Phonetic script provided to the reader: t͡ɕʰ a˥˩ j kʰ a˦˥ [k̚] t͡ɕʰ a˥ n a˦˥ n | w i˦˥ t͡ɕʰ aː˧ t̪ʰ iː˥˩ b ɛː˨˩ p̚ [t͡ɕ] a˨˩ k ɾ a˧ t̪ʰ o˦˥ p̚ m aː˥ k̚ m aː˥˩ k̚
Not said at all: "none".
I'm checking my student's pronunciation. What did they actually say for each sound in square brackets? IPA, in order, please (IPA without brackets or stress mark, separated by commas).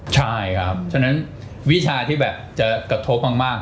p̚, t͡ɕ